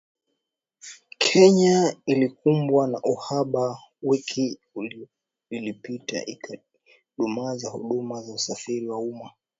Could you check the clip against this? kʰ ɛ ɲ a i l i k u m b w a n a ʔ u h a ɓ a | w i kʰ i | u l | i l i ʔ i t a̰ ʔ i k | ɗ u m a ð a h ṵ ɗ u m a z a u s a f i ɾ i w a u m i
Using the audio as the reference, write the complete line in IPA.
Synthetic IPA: kʰ ɛ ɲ a i l i k u m b w a n a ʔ u h a ɓ a | w i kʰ i | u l | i l i p i t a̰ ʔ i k | ɗ u m a z a h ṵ ɗ u m a z a u s a f i ɾ i w a u m a